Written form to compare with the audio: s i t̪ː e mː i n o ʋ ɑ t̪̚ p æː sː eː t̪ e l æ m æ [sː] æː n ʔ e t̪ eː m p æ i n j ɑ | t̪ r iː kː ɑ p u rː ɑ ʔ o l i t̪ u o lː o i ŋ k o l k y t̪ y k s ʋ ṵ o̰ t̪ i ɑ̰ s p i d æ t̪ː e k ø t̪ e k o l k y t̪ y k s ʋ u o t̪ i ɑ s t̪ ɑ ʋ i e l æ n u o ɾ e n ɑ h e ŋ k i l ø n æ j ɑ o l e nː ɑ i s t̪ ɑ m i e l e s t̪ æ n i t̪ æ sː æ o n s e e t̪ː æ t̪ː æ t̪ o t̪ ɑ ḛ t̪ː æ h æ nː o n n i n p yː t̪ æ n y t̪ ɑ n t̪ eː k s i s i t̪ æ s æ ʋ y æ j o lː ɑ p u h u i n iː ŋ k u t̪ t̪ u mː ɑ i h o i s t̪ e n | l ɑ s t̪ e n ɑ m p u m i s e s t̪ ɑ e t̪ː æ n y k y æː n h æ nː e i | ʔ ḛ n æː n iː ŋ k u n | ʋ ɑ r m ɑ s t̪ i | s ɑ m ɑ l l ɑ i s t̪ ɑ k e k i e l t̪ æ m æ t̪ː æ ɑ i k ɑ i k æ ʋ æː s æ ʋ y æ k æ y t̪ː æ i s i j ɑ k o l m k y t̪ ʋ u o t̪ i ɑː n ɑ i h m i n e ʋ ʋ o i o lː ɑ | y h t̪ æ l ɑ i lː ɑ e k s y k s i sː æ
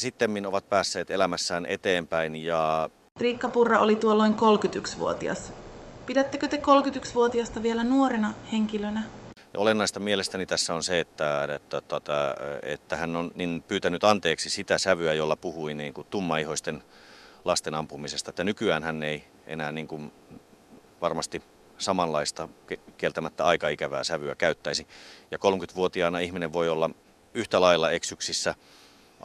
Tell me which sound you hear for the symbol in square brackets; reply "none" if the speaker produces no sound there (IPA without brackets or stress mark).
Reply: sː